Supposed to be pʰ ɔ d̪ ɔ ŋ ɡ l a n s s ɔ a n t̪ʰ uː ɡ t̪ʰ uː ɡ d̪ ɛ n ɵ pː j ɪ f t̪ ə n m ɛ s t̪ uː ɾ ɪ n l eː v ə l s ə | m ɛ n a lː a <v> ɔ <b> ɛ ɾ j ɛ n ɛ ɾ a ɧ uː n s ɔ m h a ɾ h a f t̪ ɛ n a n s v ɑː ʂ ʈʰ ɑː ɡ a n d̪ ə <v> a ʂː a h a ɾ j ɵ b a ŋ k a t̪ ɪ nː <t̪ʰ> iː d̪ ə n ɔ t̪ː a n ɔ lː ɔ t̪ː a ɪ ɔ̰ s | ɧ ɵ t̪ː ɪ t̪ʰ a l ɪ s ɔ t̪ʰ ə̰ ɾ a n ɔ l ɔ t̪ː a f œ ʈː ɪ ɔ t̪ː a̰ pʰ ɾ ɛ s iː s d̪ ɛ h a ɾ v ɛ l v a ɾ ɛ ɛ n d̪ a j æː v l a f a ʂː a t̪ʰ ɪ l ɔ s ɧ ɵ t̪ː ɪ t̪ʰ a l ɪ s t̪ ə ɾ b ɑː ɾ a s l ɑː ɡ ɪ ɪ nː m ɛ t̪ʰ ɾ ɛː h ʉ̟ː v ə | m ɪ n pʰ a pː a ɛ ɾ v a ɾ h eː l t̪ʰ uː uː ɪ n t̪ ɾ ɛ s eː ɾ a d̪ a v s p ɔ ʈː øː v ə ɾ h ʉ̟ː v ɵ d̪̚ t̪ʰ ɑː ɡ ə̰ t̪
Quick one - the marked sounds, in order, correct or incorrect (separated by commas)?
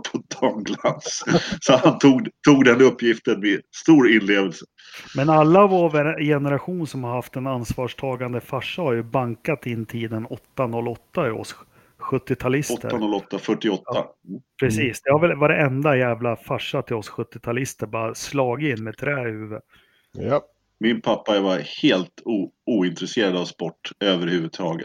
correct, incorrect, incorrect, correct